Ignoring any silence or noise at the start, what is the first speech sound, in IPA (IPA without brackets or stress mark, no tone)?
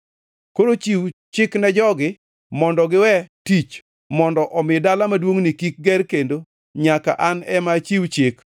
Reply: k